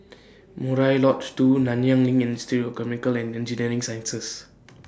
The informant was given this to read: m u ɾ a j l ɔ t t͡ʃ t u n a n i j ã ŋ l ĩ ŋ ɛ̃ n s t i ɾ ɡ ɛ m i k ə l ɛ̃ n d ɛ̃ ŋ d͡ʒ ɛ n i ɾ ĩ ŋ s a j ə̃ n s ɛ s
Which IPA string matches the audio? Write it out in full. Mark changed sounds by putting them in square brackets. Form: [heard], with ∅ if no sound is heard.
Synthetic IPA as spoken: m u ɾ a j l ɔ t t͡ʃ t u n a n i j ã ŋ l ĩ ŋ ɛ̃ n s t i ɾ [k] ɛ m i k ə l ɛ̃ n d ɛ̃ [n] d͡ʒ [i] n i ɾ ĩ ŋ s a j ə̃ n s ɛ s